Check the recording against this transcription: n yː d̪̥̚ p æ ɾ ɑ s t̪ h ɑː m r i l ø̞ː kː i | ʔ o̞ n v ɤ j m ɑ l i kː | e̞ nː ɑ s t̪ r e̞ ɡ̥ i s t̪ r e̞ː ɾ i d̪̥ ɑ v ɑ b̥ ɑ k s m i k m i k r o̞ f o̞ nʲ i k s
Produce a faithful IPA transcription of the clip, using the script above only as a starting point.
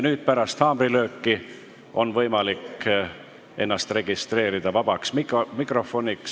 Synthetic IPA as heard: n yː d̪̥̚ p æ ɾ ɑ s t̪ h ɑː m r i l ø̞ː kː i | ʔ o̞ n v ɤ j m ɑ l i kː | e̞ nː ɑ s t̪ r e̞ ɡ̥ i s t̪ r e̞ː ɾ i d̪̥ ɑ v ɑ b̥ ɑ k s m i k m i k r o̞ f o̞ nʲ i k s